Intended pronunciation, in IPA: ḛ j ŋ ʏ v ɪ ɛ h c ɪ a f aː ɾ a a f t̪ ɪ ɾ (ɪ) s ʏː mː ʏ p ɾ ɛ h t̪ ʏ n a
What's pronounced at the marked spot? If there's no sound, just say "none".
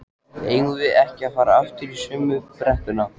i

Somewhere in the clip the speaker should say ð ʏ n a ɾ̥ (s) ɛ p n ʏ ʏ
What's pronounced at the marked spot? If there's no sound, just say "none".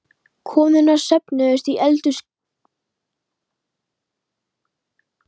s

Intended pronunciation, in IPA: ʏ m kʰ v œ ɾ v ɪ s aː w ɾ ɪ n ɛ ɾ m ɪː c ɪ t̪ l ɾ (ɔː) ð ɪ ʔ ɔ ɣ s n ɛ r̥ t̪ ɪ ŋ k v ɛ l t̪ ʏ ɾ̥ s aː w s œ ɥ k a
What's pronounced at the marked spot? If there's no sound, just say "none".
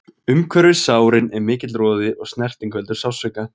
ɔː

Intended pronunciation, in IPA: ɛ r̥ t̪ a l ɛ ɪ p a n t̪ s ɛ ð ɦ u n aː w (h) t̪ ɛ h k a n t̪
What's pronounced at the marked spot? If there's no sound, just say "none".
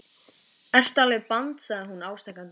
s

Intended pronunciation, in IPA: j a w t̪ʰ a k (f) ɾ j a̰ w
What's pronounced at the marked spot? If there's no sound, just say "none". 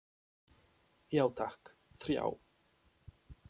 θ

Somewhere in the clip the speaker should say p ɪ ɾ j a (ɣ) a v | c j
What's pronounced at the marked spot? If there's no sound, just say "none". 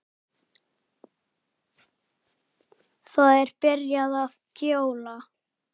ð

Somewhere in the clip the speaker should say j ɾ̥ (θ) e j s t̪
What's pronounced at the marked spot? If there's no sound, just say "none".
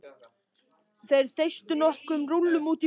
θ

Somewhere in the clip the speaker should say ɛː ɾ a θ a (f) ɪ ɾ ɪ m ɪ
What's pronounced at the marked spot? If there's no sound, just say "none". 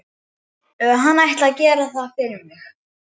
f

